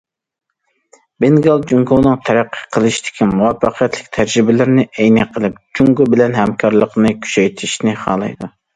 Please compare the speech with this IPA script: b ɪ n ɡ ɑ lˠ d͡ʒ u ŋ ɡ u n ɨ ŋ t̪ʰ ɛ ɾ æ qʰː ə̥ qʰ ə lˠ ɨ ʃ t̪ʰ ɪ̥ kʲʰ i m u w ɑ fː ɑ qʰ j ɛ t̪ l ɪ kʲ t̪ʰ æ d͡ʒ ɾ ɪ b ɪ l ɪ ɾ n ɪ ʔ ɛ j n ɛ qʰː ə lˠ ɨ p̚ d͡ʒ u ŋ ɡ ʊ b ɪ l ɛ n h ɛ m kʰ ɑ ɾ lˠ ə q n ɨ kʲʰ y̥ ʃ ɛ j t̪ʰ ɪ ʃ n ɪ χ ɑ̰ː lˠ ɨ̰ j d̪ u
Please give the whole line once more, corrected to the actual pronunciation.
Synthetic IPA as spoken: b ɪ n ɡ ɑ lˠ d͡ʒ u ŋ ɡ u n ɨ ŋ t̪ʰ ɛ ɾ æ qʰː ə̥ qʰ ə lˠ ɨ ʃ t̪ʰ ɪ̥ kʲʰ i m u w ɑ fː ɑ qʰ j ɛ t̪ l ɪ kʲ t̪ʰ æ d͡ʒ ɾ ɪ b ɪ l ɪ ɾ n ɪ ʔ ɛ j n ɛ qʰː ə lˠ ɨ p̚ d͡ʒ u ŋ ɡ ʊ b ɪ l ɛ n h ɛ m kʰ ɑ ɾ lˠ ə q n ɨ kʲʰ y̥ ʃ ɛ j t̪ʰ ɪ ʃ n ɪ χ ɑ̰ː lˠ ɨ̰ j d̪ u